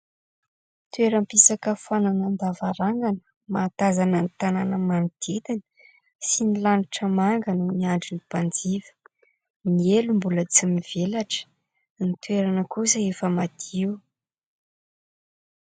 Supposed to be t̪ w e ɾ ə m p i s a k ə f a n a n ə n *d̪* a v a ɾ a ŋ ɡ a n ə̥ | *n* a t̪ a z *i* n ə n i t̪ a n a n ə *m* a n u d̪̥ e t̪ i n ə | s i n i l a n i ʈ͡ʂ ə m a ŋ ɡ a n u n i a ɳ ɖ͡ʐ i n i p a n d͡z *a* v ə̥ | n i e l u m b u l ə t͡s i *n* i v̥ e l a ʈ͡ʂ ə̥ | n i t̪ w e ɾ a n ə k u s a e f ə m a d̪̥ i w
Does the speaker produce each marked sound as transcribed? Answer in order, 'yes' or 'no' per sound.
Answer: yes, no, no, yes, no, no

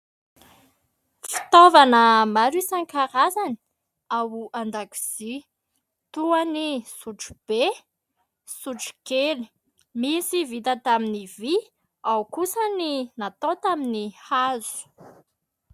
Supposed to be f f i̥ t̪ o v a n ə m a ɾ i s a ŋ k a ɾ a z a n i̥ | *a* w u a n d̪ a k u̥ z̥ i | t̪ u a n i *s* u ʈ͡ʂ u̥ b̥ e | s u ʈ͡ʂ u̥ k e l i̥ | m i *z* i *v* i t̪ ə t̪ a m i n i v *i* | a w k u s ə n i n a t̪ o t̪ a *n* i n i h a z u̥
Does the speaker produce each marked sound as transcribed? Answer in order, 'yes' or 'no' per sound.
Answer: yes, yes, no, yes, yes, no

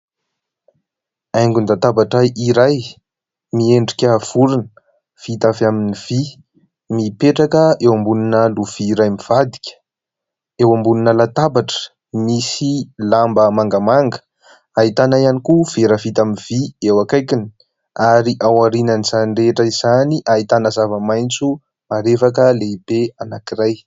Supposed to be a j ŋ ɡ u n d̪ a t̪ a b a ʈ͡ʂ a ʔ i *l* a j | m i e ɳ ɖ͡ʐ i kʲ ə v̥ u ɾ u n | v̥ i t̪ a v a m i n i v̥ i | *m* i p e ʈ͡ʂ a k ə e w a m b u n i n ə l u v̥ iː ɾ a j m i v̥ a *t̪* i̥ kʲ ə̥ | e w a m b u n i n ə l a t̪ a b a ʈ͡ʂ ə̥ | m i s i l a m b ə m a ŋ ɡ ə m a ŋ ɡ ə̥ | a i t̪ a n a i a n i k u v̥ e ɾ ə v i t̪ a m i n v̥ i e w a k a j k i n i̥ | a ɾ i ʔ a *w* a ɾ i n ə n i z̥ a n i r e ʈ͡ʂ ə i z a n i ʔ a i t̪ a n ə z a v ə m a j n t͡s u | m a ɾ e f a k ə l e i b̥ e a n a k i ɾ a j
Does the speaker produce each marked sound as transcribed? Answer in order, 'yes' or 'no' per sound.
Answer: no, yes, no, yes

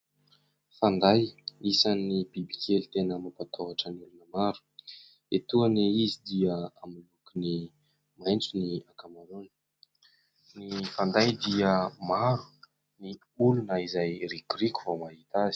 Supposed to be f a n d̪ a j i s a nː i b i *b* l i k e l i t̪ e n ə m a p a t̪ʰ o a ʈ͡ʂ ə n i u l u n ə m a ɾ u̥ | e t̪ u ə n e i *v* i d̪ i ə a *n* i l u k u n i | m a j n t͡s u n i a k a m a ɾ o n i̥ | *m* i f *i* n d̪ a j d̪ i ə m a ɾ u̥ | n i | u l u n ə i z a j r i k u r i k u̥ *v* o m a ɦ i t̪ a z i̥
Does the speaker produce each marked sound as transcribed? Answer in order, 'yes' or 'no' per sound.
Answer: yes, no, no, no, no, yes

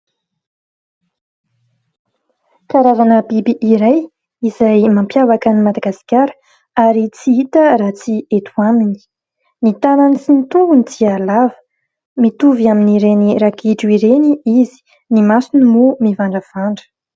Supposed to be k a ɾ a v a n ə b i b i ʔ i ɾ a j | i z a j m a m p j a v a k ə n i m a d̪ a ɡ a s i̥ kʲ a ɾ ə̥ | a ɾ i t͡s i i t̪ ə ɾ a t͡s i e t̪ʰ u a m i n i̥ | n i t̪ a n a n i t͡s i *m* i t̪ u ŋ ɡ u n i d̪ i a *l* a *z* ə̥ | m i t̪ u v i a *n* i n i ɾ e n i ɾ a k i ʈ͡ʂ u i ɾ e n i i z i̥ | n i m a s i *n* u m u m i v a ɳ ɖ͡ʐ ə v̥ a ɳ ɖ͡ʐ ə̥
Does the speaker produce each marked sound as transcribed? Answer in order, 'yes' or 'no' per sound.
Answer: no, yes, no, no, yes

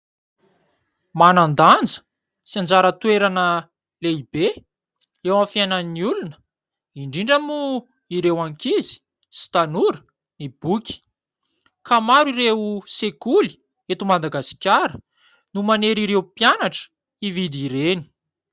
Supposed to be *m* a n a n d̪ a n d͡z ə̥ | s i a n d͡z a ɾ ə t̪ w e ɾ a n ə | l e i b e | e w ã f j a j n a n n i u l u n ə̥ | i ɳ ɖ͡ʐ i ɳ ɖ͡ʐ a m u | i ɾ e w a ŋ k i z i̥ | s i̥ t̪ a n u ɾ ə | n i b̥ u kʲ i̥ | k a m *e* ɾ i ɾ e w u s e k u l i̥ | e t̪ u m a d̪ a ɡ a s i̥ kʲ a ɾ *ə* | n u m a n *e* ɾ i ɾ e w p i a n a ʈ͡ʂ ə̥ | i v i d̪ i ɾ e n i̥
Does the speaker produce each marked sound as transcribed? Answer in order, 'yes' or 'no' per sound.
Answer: yes, no, yes, yes

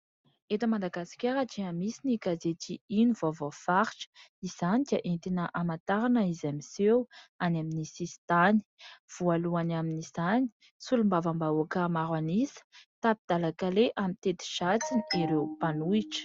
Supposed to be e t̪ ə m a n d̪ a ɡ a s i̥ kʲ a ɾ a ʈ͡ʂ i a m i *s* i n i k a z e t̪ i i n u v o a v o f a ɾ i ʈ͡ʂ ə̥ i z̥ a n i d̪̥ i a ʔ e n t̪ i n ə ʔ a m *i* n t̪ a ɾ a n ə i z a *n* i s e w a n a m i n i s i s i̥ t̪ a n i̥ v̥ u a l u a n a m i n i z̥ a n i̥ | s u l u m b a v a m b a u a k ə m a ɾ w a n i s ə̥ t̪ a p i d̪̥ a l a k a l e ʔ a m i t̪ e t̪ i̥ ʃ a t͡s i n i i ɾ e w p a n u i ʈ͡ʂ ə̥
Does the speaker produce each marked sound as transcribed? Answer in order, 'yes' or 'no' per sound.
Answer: yes, no, no

